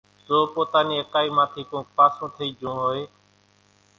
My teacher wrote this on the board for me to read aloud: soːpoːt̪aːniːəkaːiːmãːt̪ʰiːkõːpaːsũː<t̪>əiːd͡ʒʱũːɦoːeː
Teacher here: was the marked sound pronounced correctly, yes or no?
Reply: no